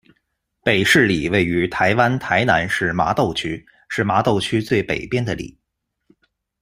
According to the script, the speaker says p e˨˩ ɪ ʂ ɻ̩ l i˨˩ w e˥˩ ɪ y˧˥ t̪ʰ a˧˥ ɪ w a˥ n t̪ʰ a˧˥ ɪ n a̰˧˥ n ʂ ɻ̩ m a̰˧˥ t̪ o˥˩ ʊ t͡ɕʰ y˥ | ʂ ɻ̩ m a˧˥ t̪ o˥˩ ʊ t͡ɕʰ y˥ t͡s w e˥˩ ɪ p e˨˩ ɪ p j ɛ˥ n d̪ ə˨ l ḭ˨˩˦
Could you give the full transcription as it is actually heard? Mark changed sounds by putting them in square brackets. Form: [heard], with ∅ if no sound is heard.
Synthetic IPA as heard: p e˨˩ ɪ ʂ ɻ̩ l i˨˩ w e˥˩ ɪ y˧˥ t̪ʰ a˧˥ ɪ w a˥ n t̪ʰ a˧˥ ɪ n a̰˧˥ n ʂ ɻ̩ m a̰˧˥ t̪ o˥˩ ʊ t͡ɕʰ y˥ | ʂ ɻ̩ m a˧˥ t̪ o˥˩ ʊ t͡ɕʰ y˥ t͡s w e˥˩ ɪ p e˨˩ ɪ p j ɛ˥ n d̪ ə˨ l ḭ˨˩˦